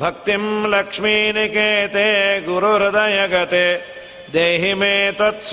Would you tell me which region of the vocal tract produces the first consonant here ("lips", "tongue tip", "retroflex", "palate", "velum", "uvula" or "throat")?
lips